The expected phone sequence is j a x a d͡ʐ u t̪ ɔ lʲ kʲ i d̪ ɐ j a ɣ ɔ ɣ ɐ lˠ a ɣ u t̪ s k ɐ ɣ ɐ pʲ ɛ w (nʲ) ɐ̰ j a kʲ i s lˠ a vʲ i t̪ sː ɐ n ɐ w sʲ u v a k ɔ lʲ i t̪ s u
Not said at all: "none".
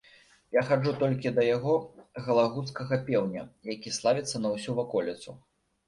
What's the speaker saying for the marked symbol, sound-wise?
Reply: nʲ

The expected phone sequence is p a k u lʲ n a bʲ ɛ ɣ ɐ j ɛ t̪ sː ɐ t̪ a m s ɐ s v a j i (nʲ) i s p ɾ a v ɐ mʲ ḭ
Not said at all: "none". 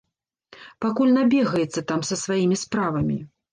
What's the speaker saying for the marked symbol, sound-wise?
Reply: mʲ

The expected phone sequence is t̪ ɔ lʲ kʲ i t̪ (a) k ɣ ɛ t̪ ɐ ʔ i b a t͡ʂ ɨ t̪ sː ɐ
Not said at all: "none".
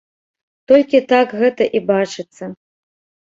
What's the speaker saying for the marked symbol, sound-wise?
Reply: a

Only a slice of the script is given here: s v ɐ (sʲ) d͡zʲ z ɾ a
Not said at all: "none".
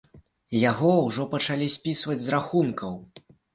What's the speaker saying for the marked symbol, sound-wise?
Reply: none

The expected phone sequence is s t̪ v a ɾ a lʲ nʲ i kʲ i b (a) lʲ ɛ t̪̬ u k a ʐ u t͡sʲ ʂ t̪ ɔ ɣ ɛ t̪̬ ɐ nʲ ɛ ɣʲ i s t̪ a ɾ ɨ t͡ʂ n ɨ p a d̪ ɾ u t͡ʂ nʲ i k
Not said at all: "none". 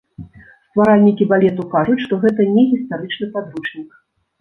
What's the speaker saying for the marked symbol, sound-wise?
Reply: a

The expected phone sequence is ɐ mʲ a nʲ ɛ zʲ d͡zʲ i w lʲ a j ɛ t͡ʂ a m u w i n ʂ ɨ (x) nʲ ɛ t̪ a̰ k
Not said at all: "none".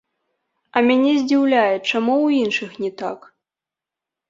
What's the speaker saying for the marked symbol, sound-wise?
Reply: x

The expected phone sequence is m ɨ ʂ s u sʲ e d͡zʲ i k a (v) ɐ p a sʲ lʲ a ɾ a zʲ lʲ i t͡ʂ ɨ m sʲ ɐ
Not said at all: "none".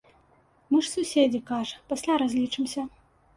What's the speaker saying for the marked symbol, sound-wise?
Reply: ʐ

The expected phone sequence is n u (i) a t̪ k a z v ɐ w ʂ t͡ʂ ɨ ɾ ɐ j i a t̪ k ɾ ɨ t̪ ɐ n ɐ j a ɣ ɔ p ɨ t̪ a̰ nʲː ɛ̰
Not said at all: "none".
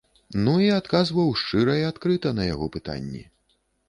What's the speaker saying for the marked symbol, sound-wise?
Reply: i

